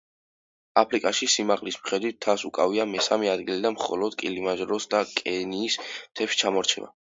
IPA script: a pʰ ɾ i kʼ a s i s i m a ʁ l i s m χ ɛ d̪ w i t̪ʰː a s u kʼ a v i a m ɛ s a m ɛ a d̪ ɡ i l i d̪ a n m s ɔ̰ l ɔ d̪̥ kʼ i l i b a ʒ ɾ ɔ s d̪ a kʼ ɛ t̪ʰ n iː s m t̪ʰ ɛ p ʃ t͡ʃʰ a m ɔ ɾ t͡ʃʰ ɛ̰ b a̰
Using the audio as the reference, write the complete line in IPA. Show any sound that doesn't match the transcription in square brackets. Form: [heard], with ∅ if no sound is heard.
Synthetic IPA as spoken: a pʰ ɾ i kʼ a [ʃ] i s i m a ʁ l i s m χ ɛ d̪ w i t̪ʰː a s u kʼ a v i a m ɛ s a m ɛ a d̪ ɡ i l i d̪ a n m [χ] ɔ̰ l ɔ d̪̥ kʼ i l i [m] a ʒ ɾ ɔ s d̪ a kʼ ɛ [∅] n iː s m t̪ʰ ɛ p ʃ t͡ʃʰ a m ɔ ɾ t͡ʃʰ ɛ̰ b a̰